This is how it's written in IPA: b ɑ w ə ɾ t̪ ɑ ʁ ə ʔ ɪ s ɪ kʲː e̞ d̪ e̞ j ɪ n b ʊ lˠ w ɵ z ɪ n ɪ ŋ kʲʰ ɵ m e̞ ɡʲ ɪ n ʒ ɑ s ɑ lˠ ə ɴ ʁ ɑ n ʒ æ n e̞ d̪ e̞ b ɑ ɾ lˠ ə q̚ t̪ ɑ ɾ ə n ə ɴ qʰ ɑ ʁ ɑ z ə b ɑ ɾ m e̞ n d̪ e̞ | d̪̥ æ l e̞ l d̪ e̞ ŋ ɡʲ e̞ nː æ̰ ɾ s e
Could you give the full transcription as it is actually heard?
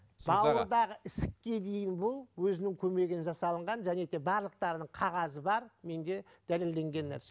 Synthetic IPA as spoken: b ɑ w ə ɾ d̪ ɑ ʁ ə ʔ ɪ s ɪ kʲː e̞ d̪ e̞ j ɪ n b ʊ lˠ w ɵ z ɪ n ɪ ŋ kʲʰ ɵ m e̞ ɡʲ ɪ n ʒ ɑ s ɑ lˠ ə ɴ ʁ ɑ n ʒ æ n e̞ d̪ e̞ b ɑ ɾ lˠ ə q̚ t̪ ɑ ɾ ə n ə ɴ qʰ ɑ ʁ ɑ z ə b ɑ ɾ m e̞ n d̪ e̞ | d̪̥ æ l e̞ l d̪ e̞ ŋ ɡʲ e̞ nː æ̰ ɾ s e